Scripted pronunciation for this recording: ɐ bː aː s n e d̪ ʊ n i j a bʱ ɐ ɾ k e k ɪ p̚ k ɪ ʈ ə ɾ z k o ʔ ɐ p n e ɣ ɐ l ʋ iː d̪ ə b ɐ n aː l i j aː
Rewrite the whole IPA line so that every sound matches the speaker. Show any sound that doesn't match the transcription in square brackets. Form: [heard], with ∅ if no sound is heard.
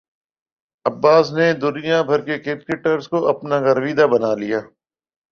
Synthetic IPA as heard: ɐ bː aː s n e d̪ ʊ n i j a bʱ ɐ ɾ k e k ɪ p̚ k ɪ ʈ ə ɾ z k o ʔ ɐ p n [a] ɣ ɐ [ɾ] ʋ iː d̪ [a] b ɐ n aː l i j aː